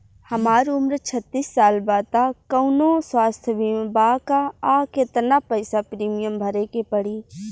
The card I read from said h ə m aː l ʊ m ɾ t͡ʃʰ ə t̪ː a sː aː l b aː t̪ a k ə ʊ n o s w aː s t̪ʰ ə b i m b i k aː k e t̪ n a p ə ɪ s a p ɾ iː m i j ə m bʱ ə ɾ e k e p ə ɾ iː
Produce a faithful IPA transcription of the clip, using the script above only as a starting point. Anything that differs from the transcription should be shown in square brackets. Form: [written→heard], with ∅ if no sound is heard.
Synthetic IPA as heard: h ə m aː [l→ɾ] ʊ m ɾ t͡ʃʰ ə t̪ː [a→i] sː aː l b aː t̪ a k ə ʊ n o s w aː s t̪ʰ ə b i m b [i→a] k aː k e t̪ n a p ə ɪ s a p ɾ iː m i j ə m bʱ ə ɾ e k e p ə [ɾ→ɽ] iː